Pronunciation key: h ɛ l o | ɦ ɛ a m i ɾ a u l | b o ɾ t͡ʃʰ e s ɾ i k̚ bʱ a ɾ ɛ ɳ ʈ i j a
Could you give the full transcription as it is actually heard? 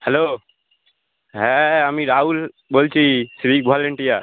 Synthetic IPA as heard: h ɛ l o | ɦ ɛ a m i ɾ a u l | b o l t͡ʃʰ i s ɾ i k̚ bʱ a l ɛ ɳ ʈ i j a